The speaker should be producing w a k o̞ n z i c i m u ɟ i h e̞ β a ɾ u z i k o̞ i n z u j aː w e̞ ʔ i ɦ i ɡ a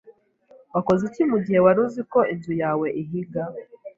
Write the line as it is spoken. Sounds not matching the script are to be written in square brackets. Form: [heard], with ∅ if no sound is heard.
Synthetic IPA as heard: w a k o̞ [∅] z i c i m u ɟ i h e̞ [w] a ɾ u z i k o̞ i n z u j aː w e̞ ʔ i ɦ i ɡ a